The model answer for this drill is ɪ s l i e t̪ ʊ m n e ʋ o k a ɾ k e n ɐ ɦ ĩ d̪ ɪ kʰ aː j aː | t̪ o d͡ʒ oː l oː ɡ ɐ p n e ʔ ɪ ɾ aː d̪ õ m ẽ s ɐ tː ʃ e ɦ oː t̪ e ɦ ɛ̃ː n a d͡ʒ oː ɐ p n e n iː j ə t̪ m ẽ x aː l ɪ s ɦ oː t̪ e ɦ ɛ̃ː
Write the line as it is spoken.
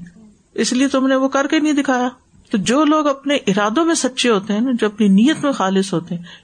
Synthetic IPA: ɪ s l i e t̪ ʊ m n e ʋ o k ɐ ɾ k e n ɐ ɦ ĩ d̪ ɪ kʰ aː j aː | t̪ o d͡ʒ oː l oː ɡ ɐ p n e ʔ ɪ ɾ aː d̪ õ m ẽ s ɐ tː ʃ e ɦ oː t̪ e ɦ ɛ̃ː n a d͡ʒ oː ɐ p n i n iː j ə t̪ m ẽ x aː l ɪ s ɦ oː t̪ e ɦ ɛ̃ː